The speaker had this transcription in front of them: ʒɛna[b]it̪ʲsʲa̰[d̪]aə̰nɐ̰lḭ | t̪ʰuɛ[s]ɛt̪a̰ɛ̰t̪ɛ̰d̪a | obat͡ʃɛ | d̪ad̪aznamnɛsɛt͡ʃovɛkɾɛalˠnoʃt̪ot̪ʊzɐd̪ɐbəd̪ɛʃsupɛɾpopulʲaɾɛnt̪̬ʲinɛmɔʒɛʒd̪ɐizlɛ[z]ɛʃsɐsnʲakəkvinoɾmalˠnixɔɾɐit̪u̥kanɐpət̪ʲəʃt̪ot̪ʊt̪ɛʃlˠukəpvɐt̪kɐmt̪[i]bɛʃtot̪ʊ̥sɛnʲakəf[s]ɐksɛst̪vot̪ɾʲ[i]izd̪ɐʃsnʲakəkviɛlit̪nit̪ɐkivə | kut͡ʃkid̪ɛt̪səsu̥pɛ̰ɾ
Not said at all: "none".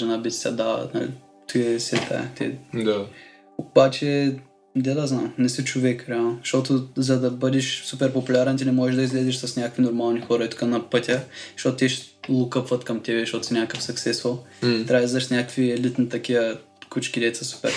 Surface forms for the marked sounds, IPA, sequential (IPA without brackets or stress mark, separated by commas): b, d̪, s, z, ɛ, s, a